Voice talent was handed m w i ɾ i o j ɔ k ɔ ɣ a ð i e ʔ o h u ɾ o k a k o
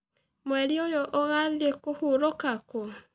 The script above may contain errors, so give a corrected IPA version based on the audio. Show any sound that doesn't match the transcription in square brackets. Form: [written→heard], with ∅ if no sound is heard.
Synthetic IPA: m w [i→ɛ] ɾ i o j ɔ [k→ʔ] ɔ ɣ a ð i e [ʔ→k] o h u ɾ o k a k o